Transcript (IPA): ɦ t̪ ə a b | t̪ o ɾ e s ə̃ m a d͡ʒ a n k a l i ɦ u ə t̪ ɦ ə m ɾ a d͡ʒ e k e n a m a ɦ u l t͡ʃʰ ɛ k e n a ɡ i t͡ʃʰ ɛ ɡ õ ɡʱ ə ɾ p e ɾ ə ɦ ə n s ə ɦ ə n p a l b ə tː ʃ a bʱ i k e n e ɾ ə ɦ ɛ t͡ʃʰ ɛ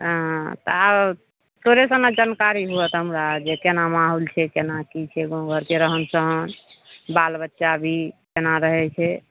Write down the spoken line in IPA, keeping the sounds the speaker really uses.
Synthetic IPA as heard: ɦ t̪ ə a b | t̪ o ɾ e s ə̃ n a d͡ʒ a n k a ɾ i ɦ u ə t̪ ɦ ə m ɾ a d͡ʒ e k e n a m a ɦ u l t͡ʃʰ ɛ k e n a k i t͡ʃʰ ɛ ɡ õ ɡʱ ə ɾ k e ɾ ə ɦ ə n s ə ɦ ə n b a l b ə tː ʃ a bʱ i k e n a ɾ ə ɦ ɛ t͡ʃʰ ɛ